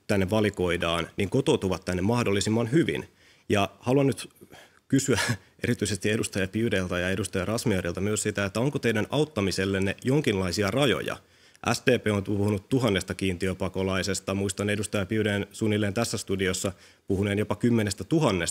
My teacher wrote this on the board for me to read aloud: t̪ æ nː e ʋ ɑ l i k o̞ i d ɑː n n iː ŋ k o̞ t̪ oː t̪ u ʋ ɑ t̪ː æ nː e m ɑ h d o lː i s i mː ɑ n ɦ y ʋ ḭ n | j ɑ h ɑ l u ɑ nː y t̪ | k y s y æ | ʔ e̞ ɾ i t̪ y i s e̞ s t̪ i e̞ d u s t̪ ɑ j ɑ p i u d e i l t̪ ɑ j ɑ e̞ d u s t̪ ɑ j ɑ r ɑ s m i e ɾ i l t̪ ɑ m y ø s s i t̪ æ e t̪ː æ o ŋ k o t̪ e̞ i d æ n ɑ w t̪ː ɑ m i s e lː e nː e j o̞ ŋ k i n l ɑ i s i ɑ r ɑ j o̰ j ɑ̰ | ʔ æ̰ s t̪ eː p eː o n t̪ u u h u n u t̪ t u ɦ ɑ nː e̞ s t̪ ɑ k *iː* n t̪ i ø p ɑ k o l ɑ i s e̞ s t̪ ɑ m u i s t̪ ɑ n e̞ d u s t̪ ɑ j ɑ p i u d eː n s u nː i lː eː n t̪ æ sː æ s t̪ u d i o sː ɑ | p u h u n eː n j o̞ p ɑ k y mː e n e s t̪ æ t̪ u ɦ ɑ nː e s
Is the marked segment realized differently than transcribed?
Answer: no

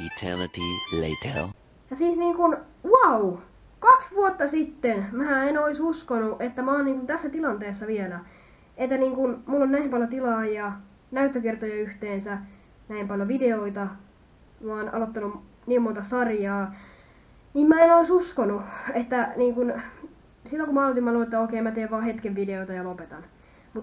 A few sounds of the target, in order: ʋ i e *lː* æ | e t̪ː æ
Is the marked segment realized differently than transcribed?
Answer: yes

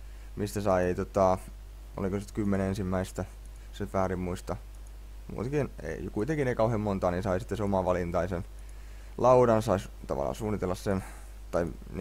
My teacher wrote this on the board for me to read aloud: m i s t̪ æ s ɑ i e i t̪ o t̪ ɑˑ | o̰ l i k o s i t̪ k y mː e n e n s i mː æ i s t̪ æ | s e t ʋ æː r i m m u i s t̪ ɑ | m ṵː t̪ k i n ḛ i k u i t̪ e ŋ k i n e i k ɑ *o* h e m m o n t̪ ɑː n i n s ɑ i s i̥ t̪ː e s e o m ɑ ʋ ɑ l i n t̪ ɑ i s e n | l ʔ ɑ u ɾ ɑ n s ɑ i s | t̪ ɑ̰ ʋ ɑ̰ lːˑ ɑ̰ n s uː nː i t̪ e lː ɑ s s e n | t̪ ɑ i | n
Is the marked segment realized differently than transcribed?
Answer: yes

